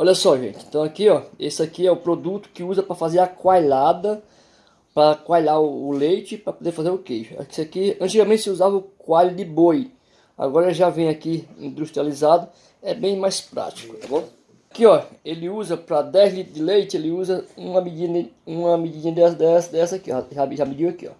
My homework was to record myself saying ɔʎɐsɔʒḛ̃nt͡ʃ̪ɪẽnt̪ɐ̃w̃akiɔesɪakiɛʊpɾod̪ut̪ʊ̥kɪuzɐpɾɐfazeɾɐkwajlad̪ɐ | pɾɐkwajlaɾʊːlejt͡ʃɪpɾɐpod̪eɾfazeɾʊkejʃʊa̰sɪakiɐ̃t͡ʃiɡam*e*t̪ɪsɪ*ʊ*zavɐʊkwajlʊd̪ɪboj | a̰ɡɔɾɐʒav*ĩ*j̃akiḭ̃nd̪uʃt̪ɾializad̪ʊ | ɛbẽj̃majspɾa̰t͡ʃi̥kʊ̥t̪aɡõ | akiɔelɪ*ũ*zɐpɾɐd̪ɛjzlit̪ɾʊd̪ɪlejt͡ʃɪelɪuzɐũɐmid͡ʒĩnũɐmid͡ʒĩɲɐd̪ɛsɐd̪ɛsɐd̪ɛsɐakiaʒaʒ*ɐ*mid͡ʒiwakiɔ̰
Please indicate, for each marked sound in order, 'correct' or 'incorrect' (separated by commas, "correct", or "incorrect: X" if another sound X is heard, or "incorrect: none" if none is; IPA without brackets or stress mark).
incorrect: ẽ, incorrect: u, incorrect: ẽ, incorrect: u, incorrect: a